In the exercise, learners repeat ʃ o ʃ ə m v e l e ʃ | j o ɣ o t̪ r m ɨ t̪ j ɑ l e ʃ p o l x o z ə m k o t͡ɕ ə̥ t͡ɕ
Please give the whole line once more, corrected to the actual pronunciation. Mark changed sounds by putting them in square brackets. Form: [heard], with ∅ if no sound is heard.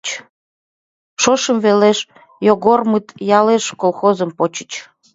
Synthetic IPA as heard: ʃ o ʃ ə m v e l e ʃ | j o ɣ o [∅] r m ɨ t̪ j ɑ l e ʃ [k] o l x o z ə m [p] o t͡ɕ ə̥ t͡ɕ